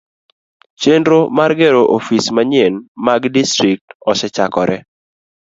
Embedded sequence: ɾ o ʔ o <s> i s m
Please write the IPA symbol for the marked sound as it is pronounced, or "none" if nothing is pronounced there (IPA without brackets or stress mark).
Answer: f